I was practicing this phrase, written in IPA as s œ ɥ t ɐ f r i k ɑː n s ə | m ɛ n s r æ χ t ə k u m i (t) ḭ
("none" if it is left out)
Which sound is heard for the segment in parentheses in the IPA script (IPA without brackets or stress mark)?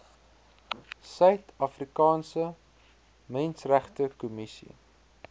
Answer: s